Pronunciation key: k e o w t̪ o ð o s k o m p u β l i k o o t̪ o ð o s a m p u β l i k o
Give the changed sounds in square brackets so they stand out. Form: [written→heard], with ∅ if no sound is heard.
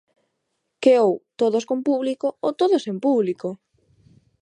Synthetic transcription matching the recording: k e o w t̪ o ð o s k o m p u β l i k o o t̪ o ð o s [a→e] m p u β l i k o